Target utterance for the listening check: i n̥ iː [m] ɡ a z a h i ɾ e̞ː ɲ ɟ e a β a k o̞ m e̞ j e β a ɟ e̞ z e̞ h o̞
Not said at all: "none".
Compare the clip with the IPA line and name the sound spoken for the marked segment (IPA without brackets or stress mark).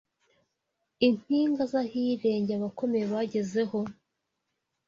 ŋ